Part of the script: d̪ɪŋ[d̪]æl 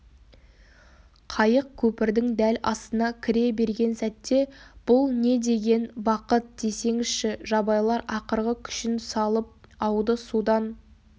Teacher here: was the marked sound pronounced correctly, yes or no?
yes